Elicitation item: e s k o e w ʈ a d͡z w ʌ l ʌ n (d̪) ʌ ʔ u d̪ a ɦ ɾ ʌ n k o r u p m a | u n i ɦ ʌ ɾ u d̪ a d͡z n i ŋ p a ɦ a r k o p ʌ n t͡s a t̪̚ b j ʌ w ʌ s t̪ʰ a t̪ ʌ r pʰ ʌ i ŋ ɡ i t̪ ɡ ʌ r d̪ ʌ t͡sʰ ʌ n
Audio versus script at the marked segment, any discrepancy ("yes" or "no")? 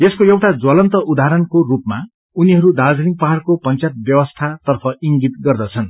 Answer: yes